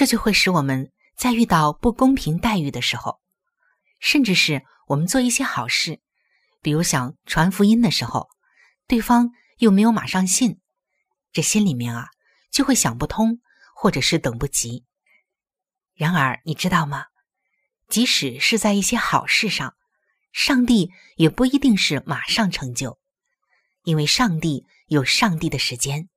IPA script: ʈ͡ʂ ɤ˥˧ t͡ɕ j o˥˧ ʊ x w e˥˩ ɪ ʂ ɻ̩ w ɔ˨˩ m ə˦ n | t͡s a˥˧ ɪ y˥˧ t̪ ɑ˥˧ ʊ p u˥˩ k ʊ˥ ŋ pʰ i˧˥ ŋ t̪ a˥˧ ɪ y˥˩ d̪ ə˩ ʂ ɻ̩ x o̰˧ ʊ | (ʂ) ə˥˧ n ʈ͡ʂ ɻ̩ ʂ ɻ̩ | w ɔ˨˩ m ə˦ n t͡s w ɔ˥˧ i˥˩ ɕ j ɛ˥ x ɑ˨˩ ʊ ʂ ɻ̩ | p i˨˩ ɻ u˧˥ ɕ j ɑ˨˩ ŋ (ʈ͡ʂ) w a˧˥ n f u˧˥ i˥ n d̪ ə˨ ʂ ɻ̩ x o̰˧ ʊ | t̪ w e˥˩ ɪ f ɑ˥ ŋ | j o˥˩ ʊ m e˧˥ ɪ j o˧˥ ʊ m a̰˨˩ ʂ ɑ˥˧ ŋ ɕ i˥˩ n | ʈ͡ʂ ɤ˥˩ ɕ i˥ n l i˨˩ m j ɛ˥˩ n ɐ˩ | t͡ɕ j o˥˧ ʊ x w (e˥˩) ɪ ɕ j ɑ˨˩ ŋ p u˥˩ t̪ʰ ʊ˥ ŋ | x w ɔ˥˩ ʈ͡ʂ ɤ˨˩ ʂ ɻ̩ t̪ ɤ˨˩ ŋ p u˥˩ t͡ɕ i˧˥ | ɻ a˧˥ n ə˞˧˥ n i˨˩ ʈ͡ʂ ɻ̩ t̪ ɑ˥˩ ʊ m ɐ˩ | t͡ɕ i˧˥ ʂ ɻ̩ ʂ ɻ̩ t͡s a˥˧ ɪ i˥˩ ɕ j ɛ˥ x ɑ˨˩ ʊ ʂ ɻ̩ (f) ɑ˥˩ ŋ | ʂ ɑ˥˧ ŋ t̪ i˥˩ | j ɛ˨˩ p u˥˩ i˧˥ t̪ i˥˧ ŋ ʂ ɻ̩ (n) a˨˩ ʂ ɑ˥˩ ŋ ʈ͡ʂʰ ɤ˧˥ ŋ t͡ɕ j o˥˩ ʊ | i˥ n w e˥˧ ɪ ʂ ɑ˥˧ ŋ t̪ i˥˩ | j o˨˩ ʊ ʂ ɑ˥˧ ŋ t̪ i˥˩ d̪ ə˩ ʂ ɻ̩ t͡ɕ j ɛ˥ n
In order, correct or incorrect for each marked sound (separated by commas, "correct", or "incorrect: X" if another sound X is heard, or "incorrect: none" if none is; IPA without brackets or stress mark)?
correct, incorrect: ʈ͡ʂʰ, correct, incorrect: ʂ, incorrect: m